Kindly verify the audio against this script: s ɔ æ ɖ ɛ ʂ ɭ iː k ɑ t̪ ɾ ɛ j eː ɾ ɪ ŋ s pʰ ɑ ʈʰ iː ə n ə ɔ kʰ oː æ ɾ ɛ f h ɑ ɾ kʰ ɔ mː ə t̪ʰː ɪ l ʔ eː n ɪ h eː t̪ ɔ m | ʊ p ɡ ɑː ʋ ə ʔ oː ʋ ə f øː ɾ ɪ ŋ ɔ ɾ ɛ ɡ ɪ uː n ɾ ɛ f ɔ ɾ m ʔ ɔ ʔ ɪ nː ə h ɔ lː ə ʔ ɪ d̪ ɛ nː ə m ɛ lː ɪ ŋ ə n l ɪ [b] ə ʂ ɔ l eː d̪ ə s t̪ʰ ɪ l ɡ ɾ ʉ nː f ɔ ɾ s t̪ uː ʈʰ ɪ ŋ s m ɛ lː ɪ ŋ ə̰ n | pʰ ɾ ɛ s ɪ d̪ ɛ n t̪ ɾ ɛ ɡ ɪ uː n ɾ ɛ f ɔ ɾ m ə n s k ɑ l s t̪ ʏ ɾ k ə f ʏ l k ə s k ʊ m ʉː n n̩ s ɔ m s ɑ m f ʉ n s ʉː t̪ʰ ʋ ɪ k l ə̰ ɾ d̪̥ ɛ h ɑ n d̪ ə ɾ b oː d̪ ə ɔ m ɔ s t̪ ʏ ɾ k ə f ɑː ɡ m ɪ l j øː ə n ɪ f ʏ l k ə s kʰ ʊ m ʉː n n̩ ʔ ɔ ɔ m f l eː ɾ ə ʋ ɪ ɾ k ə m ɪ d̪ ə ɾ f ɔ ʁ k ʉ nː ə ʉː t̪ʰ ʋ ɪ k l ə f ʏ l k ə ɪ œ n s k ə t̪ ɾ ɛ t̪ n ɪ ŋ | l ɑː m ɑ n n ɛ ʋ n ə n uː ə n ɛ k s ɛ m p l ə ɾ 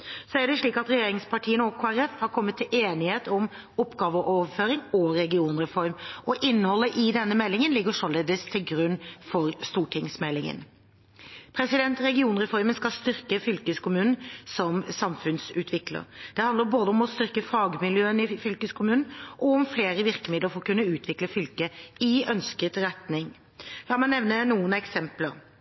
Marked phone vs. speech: incorrect: ɡ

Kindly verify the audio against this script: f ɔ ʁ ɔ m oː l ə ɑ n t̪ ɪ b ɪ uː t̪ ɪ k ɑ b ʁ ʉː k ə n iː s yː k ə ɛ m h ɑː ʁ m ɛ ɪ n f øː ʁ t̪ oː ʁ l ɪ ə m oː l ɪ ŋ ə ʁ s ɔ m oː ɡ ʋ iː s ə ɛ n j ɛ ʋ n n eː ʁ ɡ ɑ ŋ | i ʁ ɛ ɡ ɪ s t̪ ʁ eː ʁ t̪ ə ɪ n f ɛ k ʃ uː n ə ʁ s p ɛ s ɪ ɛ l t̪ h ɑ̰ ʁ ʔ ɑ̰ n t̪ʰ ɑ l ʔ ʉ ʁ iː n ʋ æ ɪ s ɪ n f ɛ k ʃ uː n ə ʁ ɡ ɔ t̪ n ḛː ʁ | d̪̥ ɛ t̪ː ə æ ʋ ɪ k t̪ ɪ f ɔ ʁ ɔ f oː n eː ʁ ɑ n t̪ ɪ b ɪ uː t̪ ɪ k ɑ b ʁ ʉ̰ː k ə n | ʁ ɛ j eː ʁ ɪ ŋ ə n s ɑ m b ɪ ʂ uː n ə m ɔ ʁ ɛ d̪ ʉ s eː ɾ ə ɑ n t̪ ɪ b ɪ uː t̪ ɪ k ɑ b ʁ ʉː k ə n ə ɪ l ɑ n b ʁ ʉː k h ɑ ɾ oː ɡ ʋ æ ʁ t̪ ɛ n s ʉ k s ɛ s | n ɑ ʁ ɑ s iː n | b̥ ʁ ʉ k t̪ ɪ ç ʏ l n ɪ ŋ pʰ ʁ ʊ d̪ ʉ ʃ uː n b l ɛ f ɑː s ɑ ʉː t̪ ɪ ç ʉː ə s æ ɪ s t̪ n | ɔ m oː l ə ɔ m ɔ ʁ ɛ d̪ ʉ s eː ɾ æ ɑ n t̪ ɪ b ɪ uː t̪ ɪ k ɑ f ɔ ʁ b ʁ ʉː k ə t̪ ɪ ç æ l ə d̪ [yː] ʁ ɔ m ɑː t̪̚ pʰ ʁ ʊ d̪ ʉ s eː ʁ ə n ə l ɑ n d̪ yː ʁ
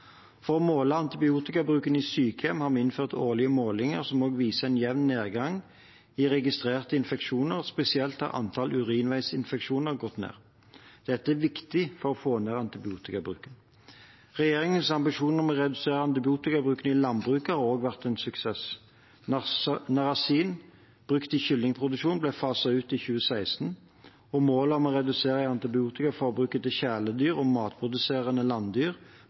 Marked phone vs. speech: correct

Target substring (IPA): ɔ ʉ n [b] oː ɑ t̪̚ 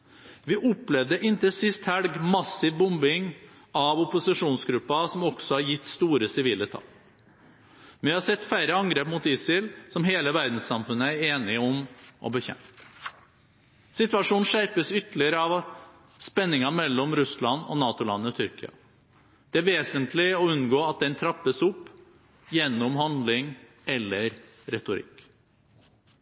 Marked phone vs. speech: incorrect: ɡ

